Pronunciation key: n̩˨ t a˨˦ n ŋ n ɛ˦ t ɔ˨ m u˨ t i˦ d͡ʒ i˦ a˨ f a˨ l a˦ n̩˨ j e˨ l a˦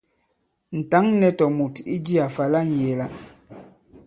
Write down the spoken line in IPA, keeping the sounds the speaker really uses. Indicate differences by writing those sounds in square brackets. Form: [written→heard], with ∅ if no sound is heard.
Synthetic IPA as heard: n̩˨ t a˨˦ [n→∅] ŋ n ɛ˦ t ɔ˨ m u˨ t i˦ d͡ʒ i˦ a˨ f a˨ l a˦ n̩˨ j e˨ l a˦

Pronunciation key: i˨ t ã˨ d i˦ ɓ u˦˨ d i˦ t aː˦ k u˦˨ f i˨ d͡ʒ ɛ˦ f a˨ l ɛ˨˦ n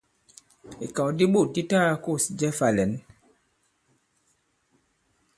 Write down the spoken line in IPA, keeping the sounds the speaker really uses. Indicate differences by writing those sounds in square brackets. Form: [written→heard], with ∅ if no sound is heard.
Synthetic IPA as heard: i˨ [t→k] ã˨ d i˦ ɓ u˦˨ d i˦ t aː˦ k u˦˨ [f→s] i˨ d͡ʒ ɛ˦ f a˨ l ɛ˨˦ n

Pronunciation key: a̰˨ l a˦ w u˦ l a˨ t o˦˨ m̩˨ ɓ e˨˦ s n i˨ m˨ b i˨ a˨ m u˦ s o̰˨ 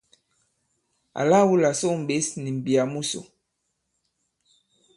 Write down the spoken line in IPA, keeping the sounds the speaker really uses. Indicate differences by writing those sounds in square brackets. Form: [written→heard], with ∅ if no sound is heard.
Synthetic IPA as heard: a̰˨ l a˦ w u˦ l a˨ [t→s] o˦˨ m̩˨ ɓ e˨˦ s n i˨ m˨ b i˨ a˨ m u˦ s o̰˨

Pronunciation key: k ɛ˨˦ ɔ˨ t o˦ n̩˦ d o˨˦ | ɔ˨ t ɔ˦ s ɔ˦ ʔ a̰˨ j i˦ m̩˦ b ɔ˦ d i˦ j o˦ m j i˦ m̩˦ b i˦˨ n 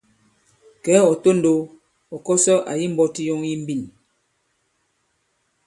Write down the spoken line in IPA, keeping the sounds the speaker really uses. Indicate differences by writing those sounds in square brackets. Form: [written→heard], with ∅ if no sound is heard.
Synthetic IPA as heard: k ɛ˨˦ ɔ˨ t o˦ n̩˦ d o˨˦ | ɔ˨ [t→k] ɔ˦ s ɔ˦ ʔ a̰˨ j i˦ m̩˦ b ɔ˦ [d→t] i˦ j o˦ [m→ŋ] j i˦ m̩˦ b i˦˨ n

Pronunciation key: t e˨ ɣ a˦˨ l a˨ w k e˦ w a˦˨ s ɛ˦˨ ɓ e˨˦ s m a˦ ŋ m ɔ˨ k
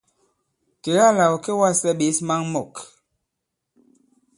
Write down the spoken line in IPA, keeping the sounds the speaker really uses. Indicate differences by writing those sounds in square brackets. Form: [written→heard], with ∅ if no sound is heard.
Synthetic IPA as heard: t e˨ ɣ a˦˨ l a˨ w k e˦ w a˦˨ s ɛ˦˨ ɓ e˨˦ s m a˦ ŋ m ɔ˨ k

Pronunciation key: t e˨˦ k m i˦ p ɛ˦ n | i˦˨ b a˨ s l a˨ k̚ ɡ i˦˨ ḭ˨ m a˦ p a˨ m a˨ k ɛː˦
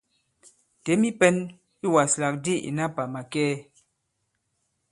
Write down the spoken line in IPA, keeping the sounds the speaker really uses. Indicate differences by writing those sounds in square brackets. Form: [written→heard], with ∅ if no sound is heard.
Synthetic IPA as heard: t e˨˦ [k→∅] m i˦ p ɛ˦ n | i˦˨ [b→w] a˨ s l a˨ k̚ [ɡ→d] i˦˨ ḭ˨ [m→n] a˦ p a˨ m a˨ k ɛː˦

